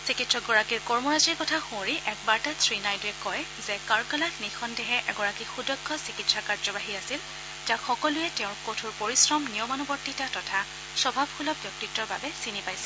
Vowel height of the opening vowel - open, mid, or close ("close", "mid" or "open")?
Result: close